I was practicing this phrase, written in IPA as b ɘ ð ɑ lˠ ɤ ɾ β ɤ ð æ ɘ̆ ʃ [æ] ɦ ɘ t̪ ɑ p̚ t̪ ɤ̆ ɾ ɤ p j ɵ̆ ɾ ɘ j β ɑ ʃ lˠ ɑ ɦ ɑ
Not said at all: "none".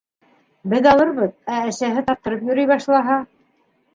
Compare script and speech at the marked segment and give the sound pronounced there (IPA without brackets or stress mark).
æ